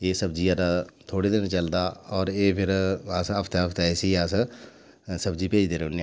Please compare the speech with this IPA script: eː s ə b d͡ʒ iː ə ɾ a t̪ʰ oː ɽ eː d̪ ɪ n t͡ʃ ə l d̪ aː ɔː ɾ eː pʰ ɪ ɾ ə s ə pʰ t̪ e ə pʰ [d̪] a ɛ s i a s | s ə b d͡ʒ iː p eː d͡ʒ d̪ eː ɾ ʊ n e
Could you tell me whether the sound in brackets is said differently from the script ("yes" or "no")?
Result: yes